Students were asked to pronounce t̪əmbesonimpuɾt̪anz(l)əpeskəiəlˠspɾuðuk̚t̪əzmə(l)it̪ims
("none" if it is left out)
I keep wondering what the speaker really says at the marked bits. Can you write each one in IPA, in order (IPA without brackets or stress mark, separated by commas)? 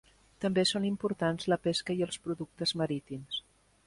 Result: l, ɾ